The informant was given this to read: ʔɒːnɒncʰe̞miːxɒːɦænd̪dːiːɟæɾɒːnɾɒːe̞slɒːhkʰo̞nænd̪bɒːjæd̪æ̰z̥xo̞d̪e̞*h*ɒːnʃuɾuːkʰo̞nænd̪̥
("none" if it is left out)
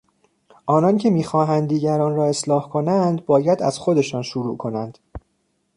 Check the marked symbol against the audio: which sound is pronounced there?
ʃ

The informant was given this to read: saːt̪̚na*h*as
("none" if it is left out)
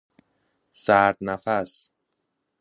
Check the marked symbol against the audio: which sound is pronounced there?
f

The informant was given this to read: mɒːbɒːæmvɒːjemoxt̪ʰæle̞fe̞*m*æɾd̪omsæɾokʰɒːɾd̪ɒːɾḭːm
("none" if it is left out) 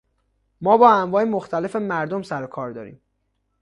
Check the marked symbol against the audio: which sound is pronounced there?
m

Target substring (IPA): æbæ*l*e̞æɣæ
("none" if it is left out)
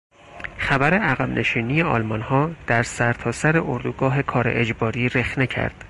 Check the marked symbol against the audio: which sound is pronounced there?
ɾ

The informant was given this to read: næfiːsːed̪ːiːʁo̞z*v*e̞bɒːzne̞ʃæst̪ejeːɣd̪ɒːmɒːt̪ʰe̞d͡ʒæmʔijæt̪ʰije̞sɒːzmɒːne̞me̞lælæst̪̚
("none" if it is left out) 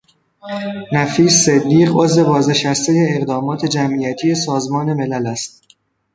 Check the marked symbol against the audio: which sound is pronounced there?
v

